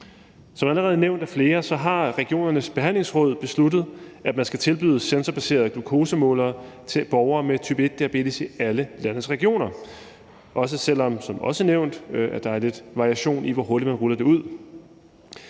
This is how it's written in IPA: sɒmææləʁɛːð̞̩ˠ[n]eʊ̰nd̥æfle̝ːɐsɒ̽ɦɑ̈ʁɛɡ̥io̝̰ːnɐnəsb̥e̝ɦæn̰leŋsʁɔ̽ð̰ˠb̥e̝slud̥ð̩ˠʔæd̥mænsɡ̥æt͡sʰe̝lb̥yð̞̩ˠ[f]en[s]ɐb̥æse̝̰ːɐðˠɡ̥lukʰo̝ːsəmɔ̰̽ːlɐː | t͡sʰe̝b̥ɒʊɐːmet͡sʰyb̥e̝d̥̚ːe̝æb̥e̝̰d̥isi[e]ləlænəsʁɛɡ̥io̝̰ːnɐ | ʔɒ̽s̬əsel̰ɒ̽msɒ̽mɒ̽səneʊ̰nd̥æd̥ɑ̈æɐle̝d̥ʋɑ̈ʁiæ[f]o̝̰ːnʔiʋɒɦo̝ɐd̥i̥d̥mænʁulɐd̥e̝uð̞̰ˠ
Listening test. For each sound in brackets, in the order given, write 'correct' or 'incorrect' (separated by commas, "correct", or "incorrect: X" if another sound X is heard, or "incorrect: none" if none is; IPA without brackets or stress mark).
correct, incorrect: s, correct, incorrect: æ, incorrect: ɕ